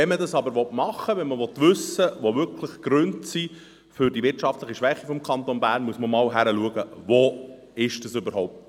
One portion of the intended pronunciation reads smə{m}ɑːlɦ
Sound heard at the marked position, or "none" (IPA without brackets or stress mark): m